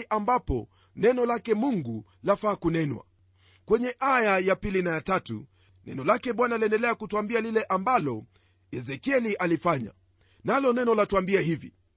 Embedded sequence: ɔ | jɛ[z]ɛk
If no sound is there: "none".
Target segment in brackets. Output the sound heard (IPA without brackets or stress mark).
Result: z